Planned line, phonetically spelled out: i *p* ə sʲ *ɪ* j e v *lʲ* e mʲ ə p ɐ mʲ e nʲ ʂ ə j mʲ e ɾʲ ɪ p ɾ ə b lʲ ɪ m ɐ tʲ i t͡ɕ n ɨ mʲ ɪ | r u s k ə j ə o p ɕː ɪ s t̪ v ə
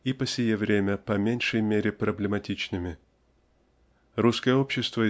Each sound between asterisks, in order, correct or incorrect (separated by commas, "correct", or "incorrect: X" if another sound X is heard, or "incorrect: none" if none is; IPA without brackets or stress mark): correct, correct, incorrect: ɾʲ